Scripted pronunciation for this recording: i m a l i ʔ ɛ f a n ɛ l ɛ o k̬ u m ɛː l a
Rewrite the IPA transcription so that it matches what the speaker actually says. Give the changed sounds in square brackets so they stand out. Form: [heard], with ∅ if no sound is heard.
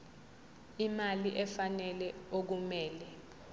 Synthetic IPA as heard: i m a l i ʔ ɛ f a n ɛ l ɛ o k̬ u m ɛː l [ɛ]